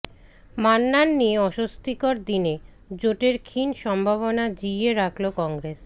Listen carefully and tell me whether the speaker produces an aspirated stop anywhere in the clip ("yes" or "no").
yes